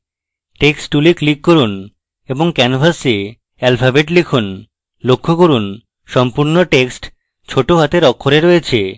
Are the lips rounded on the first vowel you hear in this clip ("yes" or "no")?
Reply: no